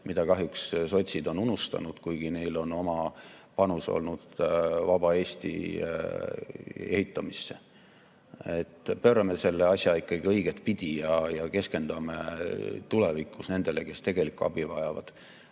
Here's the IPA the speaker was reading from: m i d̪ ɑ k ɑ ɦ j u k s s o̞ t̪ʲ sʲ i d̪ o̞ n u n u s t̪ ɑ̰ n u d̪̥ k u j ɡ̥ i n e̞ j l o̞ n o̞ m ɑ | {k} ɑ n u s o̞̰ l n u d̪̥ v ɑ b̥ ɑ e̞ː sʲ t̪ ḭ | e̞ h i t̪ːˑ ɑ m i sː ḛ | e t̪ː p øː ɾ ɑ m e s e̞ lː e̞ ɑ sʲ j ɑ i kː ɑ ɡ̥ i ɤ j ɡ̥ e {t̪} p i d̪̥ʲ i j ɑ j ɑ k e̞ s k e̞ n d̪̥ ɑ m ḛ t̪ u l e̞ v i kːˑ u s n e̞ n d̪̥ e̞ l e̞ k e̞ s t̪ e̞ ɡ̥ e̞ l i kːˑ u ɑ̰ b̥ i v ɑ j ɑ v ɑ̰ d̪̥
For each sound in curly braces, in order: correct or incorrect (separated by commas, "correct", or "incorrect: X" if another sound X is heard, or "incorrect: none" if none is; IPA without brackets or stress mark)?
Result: incorrect: p, correct